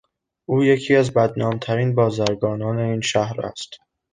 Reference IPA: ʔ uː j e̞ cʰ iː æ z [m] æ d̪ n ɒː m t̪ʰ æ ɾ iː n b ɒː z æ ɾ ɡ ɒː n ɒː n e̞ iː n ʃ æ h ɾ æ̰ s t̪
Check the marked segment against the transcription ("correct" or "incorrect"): incorrect